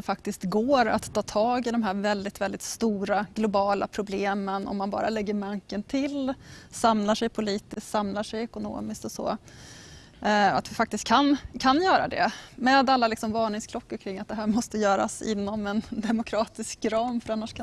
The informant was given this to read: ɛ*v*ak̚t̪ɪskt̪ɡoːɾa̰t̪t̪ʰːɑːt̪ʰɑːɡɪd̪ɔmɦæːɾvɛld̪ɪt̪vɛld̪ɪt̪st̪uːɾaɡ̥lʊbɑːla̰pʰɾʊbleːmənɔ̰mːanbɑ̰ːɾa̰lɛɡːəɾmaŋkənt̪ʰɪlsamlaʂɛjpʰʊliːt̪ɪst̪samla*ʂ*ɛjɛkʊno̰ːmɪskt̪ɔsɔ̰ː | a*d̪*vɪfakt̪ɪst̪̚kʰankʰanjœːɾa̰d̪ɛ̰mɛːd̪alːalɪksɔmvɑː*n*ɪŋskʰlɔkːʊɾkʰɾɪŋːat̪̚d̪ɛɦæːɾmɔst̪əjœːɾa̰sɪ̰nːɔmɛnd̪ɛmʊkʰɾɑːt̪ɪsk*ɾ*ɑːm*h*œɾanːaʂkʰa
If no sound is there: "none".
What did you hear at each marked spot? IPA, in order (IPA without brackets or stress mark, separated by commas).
f, ʂ, t̪, ɳ, ɾ, f